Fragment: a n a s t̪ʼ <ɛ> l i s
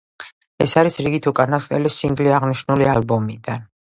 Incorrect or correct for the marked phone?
correct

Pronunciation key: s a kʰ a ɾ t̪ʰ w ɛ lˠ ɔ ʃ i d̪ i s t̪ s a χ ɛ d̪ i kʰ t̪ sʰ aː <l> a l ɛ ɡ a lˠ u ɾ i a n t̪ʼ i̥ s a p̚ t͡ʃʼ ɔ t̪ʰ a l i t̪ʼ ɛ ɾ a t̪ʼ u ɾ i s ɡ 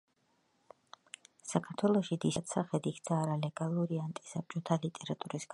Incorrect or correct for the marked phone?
incorrect: ɾ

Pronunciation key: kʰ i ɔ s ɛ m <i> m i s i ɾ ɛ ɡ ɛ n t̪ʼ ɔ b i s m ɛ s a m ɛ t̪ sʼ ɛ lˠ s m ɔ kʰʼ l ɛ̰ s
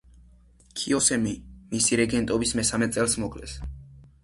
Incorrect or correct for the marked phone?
correct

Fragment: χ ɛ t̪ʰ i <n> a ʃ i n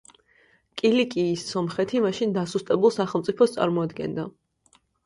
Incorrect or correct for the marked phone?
incorrect: m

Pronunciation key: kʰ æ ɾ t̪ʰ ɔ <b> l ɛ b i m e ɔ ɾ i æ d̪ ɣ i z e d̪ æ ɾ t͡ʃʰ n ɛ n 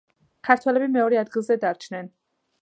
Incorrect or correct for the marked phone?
incorrect: none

